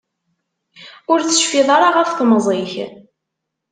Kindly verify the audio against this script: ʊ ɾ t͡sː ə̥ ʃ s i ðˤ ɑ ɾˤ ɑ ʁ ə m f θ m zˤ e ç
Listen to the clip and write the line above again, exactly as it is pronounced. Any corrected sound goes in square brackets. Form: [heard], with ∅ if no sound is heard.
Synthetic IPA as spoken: ʊ ɾ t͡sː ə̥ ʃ [f] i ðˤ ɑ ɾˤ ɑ ʁ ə [∅] f θ m zˤ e ç